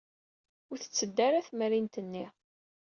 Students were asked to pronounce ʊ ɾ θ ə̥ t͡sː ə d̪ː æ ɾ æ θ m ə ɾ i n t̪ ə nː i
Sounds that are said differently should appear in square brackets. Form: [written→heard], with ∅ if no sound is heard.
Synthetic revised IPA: ʊ ɾ θ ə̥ t͡sː ə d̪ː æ ɾ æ θ m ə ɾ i n t̪ ə nː i